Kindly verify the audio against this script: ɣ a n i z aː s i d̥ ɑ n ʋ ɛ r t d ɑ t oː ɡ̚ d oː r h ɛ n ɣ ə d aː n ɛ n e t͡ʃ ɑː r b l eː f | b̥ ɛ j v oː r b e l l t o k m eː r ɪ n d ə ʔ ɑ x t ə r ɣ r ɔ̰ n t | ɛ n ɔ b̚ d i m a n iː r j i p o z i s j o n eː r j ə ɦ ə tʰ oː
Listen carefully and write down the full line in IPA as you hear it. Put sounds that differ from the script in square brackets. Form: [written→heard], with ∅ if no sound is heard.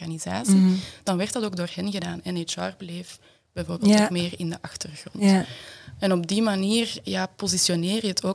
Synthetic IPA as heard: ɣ a n i z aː s i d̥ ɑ n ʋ ɛ r t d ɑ t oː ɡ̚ d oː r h ɛ n ɣ ə d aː n ɛ n e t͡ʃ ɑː r b l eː f | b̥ ɛ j v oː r b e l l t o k m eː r ɪ n d ə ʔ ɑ x t ə r ɣ r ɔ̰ n t | ɛ n ɔ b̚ d i m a n iː r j [i→a] p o z i s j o n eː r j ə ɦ ə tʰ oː